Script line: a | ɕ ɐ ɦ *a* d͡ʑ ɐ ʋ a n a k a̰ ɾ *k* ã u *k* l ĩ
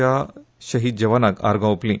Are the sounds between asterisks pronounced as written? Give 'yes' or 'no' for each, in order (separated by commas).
no, no, no